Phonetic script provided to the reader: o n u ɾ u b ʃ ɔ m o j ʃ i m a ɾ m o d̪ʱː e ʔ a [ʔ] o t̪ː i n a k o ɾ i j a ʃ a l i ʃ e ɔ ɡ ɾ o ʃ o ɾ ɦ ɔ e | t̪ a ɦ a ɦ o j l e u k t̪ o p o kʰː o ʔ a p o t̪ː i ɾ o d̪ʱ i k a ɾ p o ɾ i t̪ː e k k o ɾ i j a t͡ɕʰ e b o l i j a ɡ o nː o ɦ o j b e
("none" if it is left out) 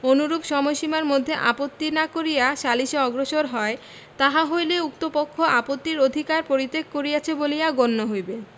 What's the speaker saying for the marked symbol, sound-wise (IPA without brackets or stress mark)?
p